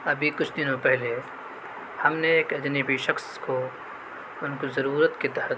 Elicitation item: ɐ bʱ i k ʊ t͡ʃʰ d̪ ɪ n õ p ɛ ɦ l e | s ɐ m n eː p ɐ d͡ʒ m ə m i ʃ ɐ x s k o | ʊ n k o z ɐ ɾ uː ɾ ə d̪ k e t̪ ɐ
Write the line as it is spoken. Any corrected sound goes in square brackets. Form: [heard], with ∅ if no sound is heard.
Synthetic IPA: ɐ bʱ i k ʊ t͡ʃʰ d̪ ɪ n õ p ɛ ɦ l e | [h] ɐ m n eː [k] ɐ d͡ʒ [n] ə [b] i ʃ ɐ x s k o | ʊ n k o z ɐ ɾ uː ɾ ə [t̪] k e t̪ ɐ